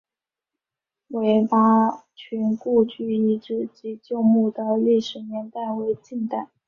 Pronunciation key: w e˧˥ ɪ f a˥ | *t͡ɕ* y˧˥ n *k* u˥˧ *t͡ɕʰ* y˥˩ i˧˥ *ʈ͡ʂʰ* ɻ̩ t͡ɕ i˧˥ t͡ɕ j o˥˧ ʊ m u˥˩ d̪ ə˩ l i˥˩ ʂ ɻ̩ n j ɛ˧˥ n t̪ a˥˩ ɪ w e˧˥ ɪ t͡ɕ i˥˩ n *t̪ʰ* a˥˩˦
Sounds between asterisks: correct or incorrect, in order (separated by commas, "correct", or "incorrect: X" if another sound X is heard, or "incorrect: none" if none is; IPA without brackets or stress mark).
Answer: incorrect: t͡ɕʰ, correct, incorrect: t͡ɕ, incorrect: ʈ͡ʂ, incorrect: t̪